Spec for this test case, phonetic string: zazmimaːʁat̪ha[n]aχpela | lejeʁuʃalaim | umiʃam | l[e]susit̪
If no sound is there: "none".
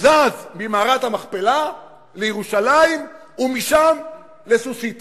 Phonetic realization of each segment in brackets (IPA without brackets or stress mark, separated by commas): m, e